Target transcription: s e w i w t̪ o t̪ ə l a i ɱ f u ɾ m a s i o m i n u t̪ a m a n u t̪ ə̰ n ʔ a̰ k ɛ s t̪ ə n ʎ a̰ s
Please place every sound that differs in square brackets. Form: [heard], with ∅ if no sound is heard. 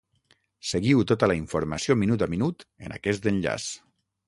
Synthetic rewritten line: s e [ɣ] i w t̪ o t̪ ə l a i ɱ f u ɾ m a s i o m i n u t̪ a m [i] n u t̪ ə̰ n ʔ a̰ k ɛ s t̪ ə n ʎ a̰ s